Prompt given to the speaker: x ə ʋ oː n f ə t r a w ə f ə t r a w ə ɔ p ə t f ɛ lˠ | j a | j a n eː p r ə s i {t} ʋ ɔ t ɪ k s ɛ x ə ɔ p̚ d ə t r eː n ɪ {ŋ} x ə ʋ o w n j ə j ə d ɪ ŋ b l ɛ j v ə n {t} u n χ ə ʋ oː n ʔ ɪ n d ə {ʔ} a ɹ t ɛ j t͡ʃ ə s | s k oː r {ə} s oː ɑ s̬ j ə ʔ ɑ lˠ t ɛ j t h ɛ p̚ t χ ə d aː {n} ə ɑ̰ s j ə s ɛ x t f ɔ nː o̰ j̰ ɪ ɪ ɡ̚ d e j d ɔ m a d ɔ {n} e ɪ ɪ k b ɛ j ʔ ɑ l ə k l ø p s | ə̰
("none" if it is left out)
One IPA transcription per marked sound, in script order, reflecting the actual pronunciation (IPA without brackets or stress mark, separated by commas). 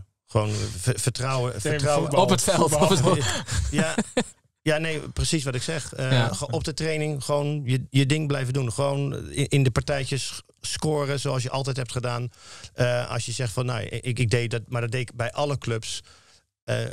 s, ŋ, d, p, ə, n, d